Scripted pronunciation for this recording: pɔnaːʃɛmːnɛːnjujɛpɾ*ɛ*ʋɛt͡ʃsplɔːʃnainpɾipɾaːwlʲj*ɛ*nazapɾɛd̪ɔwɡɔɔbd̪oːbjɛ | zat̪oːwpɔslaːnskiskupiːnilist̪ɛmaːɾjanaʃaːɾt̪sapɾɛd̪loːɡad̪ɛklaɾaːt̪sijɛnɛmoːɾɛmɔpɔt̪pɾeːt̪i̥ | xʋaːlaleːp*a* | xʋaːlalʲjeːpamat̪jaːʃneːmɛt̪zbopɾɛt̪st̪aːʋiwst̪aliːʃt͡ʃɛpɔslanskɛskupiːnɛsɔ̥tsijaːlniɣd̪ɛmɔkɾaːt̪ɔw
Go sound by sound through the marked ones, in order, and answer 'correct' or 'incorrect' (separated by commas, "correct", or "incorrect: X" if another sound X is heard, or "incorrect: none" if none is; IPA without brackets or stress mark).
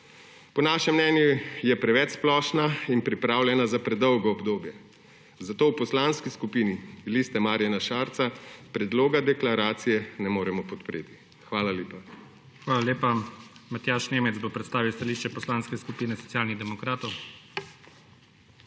correct, correct, correct